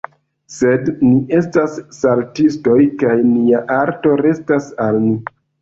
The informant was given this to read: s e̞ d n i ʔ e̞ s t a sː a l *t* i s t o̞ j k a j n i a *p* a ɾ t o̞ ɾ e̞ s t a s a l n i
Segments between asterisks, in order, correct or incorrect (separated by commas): correct, incorrect